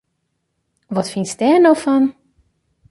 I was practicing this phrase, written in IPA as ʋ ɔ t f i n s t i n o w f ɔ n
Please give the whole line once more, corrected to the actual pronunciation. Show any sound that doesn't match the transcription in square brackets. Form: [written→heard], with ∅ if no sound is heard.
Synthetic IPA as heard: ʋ ɔ t f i n s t [i→ɛ] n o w f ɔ n